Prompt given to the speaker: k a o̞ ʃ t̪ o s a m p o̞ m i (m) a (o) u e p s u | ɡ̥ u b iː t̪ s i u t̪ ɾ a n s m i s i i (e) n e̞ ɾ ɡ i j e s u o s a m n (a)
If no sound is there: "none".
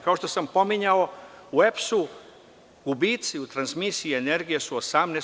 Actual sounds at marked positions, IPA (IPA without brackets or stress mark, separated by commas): ɲ, o, e, e